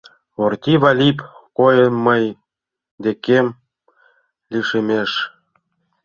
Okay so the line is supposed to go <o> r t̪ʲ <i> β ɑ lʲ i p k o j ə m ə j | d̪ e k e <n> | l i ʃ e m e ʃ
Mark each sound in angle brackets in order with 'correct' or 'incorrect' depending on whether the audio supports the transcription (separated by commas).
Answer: correct, correct, incorrect